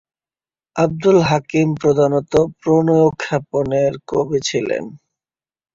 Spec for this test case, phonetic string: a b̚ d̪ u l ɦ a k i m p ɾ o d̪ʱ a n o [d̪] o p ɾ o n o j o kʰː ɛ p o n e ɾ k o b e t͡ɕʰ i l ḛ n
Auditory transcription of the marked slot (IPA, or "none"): t̪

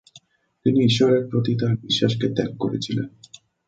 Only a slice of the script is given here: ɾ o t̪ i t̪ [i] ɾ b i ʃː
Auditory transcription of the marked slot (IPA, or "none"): a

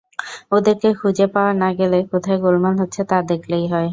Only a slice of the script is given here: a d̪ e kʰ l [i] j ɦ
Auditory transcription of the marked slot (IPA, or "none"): e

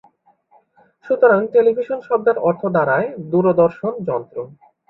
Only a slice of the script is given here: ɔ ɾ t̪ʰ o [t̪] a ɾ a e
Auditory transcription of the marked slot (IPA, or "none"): d̪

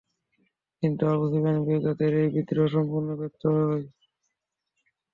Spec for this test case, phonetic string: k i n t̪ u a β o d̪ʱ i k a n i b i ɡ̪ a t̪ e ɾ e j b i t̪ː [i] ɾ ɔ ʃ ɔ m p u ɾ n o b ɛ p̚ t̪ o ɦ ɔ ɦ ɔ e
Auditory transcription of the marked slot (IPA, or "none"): i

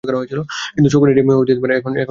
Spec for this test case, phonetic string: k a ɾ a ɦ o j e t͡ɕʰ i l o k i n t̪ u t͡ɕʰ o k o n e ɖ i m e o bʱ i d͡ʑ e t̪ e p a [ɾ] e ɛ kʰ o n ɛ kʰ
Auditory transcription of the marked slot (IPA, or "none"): ɾ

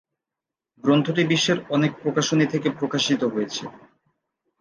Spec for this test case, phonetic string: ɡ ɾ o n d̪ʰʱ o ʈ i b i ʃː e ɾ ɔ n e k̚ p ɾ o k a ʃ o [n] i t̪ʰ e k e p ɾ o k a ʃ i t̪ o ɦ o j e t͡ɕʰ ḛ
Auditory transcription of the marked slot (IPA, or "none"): n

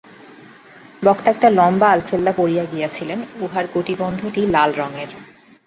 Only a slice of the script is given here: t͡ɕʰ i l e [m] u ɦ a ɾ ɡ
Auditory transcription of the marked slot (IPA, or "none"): n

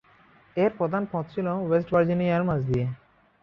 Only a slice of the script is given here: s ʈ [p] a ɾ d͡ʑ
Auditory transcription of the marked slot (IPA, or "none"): b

